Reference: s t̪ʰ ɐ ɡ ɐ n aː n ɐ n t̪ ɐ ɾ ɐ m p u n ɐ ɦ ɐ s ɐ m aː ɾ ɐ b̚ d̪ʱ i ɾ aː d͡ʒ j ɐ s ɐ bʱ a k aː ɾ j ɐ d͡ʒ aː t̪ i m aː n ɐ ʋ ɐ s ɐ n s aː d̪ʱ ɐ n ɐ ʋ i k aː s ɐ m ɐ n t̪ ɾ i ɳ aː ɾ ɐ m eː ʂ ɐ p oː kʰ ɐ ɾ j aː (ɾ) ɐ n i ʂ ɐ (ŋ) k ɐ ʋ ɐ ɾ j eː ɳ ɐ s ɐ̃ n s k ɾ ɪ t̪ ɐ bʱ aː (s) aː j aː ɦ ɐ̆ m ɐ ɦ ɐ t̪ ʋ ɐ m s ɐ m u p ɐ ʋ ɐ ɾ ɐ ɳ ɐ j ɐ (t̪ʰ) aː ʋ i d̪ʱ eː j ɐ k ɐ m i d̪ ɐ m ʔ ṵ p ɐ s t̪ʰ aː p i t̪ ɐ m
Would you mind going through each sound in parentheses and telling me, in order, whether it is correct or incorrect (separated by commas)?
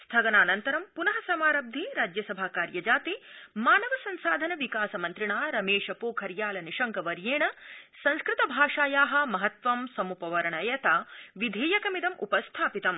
incorrect, correct, incorrect, incorrect